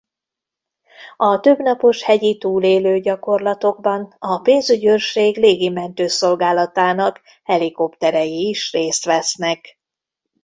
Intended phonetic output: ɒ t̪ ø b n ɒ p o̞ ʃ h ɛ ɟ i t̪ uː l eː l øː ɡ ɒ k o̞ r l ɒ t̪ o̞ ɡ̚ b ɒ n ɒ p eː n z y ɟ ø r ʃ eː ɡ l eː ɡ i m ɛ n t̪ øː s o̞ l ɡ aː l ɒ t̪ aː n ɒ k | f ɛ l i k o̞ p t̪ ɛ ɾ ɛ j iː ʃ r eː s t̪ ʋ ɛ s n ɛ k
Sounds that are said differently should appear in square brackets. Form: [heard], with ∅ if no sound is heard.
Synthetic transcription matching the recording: ɒ t̪ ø b n ɒ p o̞ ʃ h ɛ ɟ i t̪ uː l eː l øː [ɟ] ɒ k o̞ r l ɒ t̪ o̞ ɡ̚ b ɒ n ɒ p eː n z y ɟ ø r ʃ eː ɡ l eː ɡ i m ɛ n t̪ øː s o̞ l ɡ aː l ɒ t̪ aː n ɒ k | [h] ɛ l i k o̞ p t̪ ɛ ɾ ɛ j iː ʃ r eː s t̪ ʋ ɛ s n ɛ k